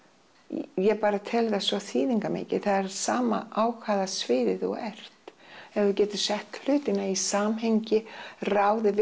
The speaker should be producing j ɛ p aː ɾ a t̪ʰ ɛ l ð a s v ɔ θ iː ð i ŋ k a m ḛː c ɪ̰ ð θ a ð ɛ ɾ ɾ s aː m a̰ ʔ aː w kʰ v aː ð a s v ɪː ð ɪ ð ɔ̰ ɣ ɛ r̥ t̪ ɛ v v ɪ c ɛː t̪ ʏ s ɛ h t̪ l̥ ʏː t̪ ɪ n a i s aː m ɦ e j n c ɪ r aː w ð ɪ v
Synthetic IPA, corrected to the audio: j ɛ p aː ɾ a t̪ʰ ɛ l ð a s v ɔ θ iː ð i ŋ k a m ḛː c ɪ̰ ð θ a ð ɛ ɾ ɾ s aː m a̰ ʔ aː w kʰ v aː ð a s v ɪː ð ɪ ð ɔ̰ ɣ ɛ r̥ t̪ ɛ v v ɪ c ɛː t̪ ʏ s ɛ h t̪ l̥ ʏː t̪ ɪ n a i s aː m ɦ e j ɲ c ɪ r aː w ð ɪ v